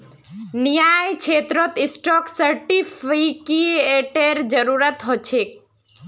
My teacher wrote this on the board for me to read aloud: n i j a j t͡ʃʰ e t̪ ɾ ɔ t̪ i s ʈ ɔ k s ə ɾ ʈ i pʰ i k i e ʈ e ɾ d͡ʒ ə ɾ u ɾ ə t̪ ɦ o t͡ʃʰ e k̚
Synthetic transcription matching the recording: n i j a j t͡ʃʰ e t̪ ɾ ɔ t̪ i s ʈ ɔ k s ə ɾ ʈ i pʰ i k i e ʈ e ɾ d͡ʒ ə ɾ u ɾ ə t̪ ɦ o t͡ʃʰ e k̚